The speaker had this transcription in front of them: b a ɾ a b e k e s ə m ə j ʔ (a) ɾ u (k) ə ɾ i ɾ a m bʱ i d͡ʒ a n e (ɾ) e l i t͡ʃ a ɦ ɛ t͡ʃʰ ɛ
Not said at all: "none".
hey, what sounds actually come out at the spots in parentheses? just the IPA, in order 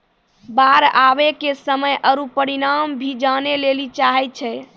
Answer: ə, p, l

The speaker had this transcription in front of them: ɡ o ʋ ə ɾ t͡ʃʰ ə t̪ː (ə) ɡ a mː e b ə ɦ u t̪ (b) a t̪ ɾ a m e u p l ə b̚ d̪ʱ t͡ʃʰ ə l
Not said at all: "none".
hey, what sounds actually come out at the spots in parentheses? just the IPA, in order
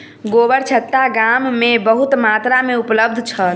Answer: a, m

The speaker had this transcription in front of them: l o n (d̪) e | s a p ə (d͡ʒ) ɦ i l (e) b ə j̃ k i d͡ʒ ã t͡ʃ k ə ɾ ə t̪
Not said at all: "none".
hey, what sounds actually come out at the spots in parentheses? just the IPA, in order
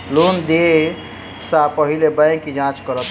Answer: d̪, none, e

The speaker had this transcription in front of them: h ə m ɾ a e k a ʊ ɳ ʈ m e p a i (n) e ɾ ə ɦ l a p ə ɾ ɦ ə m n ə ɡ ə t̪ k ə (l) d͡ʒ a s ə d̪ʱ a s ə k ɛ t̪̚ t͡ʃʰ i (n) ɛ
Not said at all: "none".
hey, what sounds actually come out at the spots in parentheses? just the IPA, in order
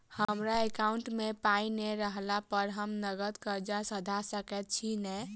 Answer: n, ɾ, n

